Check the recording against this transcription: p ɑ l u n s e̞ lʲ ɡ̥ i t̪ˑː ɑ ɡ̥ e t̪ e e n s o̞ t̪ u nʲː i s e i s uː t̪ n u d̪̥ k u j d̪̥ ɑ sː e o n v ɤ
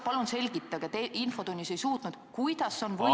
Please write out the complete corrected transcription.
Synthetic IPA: p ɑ l u n s e̞ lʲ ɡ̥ i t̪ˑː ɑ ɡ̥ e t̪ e i n f o̞ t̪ u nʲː i s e j s uː t̪ n u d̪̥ k u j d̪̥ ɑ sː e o n v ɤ